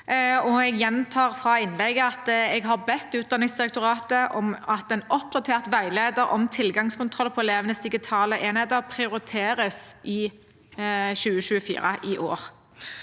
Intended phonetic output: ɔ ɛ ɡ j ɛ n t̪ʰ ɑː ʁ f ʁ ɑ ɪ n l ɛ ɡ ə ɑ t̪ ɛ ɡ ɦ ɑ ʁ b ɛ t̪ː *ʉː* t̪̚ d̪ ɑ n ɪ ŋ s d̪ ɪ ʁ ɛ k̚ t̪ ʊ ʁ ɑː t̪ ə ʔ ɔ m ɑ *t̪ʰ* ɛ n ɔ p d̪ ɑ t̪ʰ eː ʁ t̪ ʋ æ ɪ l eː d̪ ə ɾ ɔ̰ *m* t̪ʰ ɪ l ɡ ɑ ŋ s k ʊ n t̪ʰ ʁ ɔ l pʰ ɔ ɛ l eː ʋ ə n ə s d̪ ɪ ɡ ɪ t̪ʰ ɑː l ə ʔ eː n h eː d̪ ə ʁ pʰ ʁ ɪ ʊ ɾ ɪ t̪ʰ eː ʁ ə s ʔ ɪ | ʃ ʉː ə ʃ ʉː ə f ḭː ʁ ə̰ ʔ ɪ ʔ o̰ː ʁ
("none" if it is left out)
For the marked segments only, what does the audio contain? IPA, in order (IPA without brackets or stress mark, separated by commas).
ʉː, t̪, m